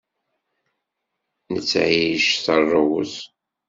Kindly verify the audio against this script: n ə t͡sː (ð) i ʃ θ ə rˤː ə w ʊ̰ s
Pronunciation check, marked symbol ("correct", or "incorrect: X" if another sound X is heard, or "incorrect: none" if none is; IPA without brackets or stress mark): incorrect: ʕ